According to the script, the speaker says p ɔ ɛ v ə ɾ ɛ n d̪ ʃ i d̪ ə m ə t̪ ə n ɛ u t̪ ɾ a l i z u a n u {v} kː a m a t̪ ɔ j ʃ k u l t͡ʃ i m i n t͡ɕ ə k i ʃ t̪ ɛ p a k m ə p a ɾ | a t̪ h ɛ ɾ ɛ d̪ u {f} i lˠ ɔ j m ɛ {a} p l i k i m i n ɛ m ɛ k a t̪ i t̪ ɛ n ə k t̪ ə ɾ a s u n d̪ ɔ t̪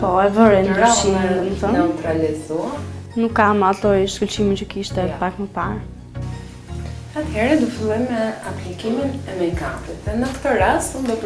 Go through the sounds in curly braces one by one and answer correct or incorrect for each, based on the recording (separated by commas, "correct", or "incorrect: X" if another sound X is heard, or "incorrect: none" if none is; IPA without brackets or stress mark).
incorrect: none, correct, correct